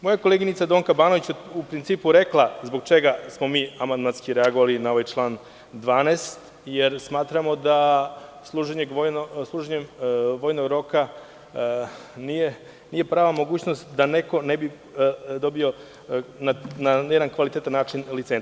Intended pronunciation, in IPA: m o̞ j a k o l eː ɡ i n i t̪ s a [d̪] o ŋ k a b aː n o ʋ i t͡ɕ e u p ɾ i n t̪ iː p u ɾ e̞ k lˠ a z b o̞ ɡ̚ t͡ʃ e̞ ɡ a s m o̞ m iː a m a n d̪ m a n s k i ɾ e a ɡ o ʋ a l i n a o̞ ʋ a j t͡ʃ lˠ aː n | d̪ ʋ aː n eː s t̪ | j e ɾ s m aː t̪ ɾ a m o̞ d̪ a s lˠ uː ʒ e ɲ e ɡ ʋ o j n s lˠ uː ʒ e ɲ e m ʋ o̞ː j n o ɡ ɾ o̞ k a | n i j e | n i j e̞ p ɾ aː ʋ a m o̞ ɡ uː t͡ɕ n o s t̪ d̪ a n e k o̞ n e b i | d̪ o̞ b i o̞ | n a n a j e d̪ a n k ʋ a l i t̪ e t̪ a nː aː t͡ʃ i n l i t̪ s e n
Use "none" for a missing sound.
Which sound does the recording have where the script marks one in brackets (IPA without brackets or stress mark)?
d̪